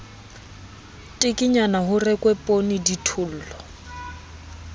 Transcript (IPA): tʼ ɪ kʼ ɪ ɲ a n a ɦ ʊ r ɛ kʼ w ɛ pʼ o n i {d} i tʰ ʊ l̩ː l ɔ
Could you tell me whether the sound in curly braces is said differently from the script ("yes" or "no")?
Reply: no